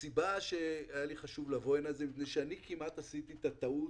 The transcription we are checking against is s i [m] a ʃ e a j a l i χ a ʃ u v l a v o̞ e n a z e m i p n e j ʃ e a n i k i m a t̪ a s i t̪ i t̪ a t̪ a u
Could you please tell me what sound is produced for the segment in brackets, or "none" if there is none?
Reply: b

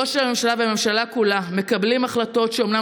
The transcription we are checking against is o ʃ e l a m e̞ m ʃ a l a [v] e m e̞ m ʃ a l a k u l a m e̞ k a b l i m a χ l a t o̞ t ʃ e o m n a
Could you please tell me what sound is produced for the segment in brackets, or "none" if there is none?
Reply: v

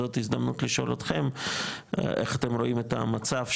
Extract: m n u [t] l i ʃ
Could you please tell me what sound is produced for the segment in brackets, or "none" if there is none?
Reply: t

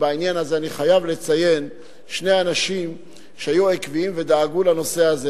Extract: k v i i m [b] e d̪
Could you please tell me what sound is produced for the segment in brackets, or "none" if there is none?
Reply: v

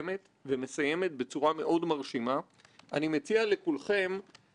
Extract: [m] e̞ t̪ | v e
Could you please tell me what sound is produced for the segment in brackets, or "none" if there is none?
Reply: m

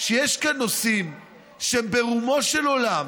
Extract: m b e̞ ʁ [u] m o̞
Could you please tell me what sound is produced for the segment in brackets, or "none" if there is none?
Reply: u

